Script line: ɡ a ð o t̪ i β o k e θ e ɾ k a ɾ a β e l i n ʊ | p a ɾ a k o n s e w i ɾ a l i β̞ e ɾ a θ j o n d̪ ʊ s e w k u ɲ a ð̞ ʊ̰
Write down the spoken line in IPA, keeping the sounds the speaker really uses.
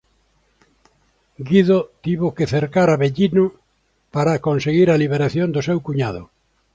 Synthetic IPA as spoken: ɡ i ð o t̪ i β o k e θ e ɾ k a ɾ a β e ʎ i n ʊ | p a ɾ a k o n s e ɣ i ɾ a l i β̞ e ɾ a θ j o n d̪ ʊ s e w k u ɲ a ð̞ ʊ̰